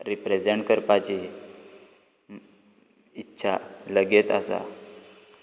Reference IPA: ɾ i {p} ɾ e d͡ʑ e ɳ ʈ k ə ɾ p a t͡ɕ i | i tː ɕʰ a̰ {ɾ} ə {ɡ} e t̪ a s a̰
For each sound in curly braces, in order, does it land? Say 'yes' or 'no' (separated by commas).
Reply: yes, no, yes